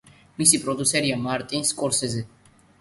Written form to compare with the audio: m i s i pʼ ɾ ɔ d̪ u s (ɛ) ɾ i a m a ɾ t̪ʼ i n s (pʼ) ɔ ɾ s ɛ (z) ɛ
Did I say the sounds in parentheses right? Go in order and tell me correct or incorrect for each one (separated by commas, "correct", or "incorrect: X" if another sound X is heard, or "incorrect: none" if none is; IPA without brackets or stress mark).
correct, incorrect: kʼ, correct